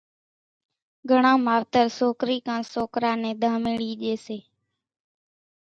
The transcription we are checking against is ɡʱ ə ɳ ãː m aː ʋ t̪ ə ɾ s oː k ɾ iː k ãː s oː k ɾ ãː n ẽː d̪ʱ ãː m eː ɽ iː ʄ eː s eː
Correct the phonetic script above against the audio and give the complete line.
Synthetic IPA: ɡʱ ə ɳ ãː m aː ʋ t̪ ə ɾ s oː k ɾ iː k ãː s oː k ɾ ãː n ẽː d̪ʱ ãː m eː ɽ iː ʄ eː s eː